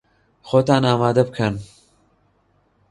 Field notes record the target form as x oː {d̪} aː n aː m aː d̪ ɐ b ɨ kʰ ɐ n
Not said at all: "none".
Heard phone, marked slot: t̪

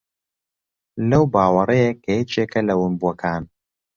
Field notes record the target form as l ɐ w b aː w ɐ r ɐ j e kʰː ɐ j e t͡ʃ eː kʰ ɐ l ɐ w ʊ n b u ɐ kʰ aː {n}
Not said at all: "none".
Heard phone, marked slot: n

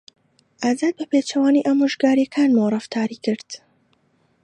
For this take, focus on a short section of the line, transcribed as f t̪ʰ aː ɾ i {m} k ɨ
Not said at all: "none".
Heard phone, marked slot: none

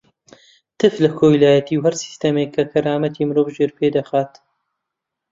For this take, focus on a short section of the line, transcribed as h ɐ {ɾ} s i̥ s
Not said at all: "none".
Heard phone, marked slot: ɾ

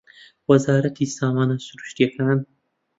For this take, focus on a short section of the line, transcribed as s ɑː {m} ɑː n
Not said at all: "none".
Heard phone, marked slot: m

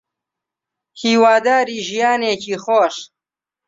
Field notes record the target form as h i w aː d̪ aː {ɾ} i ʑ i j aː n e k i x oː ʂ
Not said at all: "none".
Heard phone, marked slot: ɾ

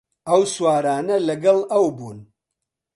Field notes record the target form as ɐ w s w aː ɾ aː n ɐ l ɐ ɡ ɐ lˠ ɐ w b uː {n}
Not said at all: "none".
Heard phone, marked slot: n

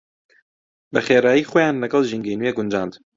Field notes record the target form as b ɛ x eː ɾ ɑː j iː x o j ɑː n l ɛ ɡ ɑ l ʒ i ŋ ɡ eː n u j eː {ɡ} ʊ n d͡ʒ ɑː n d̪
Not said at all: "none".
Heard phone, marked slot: ɡ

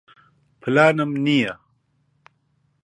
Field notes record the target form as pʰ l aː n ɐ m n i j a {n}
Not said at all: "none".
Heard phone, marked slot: none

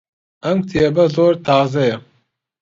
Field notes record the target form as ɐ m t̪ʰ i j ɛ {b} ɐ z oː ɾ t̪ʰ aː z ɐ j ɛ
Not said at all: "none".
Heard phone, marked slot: b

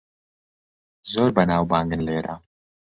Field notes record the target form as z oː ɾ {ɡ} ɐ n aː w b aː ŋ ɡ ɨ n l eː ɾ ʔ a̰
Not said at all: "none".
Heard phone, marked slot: b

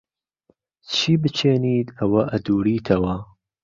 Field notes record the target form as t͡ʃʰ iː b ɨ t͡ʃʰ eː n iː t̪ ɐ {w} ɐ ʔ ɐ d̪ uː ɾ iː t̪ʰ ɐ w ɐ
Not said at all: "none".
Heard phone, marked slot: w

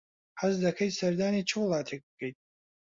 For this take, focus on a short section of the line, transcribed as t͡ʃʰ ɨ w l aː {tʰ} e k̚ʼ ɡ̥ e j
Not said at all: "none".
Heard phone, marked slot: tʰ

